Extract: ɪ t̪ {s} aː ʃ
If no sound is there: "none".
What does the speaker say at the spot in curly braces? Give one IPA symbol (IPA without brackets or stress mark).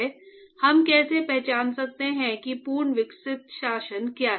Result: ʃ